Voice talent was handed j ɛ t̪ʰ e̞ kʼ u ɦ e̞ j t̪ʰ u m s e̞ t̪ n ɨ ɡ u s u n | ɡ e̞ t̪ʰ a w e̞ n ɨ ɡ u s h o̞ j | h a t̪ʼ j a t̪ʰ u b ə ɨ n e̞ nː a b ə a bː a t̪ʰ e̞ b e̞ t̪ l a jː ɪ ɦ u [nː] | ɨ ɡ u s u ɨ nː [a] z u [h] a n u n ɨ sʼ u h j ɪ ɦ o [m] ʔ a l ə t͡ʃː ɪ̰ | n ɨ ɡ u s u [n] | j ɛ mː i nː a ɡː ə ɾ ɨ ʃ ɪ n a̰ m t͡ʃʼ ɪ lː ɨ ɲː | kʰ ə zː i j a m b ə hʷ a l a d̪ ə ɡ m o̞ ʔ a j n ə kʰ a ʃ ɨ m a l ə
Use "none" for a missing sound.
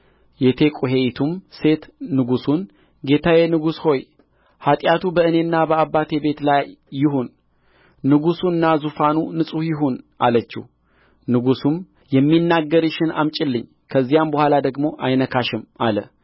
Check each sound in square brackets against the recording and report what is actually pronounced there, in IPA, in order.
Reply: nː, a, f, n, m

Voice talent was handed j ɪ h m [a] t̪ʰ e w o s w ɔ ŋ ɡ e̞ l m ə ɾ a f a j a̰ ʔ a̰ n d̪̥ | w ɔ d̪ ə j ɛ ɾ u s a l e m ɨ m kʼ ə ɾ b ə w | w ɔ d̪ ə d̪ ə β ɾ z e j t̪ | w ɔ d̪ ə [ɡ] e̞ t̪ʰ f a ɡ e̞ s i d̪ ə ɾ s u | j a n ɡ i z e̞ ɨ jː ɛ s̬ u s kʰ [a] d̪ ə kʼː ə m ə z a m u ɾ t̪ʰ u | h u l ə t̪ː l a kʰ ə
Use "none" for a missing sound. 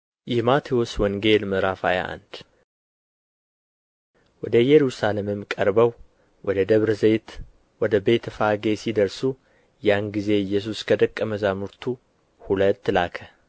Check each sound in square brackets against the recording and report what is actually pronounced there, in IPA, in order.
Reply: a, b, ə

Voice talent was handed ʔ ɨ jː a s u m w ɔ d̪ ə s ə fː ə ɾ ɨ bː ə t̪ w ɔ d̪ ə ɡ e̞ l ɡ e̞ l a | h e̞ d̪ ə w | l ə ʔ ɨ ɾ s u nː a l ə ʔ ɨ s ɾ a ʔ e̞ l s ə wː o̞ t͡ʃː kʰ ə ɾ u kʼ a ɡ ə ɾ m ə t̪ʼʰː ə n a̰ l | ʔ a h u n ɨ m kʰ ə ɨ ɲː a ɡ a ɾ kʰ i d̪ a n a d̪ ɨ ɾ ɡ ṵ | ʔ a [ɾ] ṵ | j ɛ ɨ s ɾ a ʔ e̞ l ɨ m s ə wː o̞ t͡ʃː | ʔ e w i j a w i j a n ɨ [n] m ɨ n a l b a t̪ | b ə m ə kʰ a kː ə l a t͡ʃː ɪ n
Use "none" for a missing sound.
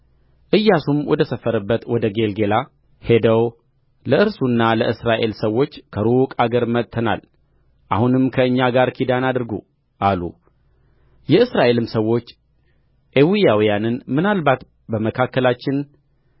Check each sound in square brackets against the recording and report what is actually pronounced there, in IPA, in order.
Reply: l, n

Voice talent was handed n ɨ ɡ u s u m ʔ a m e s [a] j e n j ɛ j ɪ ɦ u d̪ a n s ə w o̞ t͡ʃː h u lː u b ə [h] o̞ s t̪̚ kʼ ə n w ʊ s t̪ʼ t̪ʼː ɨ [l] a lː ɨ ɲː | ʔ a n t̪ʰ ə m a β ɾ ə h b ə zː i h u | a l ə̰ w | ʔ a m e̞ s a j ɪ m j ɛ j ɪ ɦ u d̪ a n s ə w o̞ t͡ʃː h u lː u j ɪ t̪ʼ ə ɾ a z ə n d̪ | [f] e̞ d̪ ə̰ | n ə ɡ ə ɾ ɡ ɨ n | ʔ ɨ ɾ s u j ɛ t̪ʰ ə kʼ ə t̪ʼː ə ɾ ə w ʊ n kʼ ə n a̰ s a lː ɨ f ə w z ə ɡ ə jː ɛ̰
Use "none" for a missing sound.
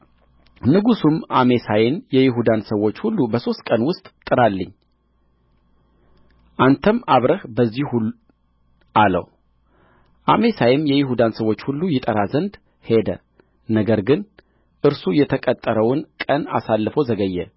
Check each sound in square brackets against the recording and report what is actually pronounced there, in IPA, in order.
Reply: a, s, ɾ, h

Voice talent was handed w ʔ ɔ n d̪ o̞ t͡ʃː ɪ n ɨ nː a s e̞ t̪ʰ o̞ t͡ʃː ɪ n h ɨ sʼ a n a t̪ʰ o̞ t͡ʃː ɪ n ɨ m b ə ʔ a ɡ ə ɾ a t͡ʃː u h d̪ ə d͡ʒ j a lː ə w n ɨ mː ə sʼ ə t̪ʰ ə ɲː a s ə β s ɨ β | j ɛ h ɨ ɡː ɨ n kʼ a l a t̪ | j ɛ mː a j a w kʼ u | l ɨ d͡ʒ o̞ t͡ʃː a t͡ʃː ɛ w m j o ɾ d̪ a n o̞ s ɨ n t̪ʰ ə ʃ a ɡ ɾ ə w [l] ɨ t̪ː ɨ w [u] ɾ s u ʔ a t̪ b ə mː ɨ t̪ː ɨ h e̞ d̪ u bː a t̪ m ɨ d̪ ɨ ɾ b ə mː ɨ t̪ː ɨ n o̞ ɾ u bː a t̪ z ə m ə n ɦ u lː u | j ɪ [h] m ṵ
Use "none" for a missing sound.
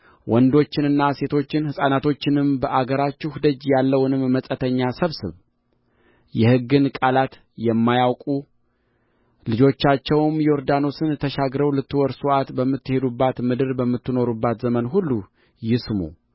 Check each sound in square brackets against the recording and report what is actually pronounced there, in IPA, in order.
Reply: l, ɔ, s

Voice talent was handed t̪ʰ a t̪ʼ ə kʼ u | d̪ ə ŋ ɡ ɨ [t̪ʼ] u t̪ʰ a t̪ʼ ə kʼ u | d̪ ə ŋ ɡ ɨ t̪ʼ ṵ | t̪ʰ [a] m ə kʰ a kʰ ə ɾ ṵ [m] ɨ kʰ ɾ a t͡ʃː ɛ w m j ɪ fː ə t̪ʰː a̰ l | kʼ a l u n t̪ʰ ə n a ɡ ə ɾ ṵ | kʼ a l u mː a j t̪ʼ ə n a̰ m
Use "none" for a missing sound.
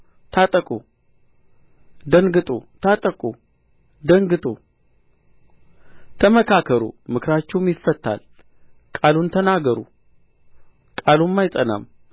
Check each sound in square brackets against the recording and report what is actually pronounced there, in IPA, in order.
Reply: t̪ʼ, ə, m

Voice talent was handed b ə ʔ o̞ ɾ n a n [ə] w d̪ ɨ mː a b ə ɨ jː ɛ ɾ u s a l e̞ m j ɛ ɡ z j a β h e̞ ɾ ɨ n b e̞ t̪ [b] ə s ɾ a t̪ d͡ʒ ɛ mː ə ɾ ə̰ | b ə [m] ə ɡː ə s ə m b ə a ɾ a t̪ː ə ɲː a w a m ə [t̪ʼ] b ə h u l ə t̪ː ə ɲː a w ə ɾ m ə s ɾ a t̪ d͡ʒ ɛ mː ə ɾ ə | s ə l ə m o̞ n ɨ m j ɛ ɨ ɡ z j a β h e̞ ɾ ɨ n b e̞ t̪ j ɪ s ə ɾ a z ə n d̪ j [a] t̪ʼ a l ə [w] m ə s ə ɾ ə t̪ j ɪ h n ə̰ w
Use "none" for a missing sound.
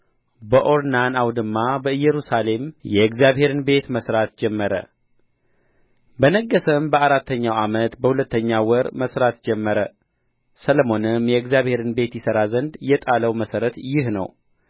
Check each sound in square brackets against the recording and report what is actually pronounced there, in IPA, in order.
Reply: a, m, n, t̪, ɛ, w

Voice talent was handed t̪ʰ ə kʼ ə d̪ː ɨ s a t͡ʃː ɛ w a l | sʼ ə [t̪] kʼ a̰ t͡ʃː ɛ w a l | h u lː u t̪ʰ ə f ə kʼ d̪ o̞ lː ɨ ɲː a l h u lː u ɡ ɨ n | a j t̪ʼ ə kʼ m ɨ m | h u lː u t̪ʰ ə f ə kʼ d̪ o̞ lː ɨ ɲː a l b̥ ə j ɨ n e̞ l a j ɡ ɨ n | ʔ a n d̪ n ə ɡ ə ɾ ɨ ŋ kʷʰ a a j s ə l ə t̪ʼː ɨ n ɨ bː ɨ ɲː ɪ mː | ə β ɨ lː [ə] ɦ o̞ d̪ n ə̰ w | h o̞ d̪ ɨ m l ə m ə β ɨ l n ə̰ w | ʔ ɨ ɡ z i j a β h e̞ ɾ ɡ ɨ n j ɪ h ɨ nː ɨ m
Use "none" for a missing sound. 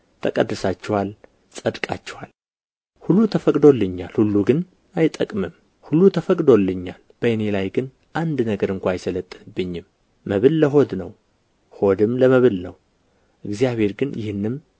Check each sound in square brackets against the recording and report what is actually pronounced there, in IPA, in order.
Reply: d̪, ə

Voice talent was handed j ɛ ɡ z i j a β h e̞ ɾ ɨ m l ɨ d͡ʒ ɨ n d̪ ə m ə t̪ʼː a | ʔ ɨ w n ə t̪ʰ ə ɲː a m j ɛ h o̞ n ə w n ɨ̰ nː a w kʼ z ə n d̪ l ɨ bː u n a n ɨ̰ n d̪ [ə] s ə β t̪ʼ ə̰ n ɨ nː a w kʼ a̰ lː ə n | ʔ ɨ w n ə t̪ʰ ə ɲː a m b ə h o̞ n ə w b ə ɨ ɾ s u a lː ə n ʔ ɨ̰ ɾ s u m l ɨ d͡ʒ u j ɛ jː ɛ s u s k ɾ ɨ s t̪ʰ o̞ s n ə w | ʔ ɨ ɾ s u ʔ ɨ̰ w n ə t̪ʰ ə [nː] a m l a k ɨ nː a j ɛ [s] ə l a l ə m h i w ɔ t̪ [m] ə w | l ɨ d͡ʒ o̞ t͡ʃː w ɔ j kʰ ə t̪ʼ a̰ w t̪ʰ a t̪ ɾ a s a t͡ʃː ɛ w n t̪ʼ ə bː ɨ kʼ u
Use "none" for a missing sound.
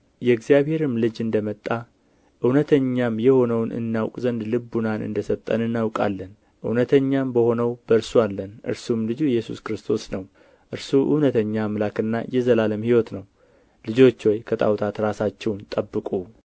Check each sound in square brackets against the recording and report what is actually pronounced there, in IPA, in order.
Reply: ə, ɲː, z, n

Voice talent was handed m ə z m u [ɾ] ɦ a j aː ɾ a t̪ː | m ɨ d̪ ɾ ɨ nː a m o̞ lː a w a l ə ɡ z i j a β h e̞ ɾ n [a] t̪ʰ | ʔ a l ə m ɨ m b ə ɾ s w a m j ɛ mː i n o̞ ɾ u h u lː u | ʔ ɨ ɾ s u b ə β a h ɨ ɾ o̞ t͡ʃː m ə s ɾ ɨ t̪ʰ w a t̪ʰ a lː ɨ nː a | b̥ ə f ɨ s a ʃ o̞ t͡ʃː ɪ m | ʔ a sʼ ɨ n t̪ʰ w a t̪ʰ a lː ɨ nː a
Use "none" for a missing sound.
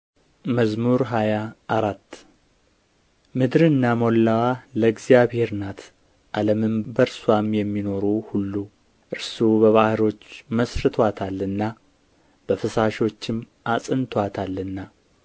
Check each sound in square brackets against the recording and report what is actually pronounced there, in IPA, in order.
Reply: ɾ, a

